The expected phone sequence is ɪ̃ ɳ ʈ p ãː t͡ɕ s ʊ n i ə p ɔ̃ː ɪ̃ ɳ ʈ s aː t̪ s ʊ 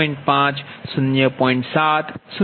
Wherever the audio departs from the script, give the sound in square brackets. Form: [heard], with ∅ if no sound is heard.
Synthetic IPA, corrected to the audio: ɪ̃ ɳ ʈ p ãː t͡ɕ s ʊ n [j] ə p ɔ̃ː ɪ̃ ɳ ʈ s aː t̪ s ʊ